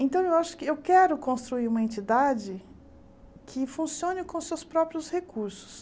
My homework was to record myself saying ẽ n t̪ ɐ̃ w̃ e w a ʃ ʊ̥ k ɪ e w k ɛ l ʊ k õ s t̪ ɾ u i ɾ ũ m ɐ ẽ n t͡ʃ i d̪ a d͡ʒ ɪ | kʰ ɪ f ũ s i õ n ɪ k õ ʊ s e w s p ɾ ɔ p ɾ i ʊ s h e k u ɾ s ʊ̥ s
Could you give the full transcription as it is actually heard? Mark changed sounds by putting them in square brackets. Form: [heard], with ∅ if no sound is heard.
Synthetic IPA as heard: ẽ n t̪ ɐ̃ w̃ e w a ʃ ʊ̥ k ɪ e w k ɛ [ɾ] ʊ k õ s t̪ ɾ u i ɾ ũ m ɐ ẽ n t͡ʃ i d̪ a d͡ʒ ɪ | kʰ ɪ f ũ s i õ n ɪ k õ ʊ s e w s p ɾ ɔ p ɾ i ʊ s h e k u ɾ s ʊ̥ s